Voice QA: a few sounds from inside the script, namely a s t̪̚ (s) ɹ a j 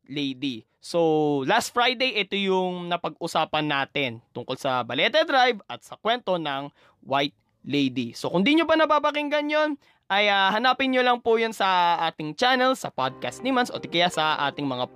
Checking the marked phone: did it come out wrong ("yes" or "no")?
yes